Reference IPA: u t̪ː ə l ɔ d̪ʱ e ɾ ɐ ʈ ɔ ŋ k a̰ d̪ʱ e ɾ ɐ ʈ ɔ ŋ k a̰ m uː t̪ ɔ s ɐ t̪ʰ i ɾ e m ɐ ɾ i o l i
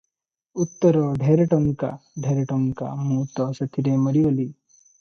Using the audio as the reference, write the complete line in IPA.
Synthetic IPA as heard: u t̪ː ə ɾ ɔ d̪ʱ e ɾ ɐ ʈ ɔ ŋ k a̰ d̪ʱ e ɾ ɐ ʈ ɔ ŋ k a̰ m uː t̪ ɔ s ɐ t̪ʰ i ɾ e m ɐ ɾ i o l i